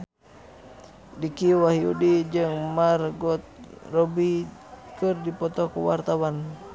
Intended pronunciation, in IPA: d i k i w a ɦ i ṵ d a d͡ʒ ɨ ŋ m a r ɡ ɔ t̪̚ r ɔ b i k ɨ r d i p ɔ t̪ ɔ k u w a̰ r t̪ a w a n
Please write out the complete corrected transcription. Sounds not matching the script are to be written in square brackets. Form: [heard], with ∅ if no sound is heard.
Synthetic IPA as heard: d i k i w a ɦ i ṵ d [i] d͡ʒ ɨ ŋ m a r ɡ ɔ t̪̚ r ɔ b i k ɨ r d i p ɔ t̪ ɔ k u w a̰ r t̪ a w a n